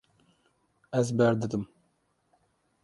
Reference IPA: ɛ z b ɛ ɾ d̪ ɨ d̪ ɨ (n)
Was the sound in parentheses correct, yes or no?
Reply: no